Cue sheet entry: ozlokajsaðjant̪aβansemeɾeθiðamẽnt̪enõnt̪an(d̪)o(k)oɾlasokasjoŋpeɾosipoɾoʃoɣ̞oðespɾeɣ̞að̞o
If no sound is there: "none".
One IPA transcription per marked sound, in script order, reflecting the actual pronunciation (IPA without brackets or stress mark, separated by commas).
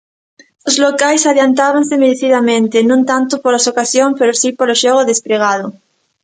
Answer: t̪, p